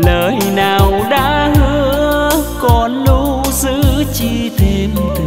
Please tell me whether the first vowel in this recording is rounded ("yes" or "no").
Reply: no